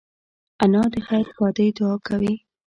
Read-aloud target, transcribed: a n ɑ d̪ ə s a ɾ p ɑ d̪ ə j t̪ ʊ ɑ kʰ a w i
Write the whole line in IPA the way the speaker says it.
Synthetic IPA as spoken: a n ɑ d̪ ə x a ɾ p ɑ d̪ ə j d̪ ʊ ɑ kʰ a w i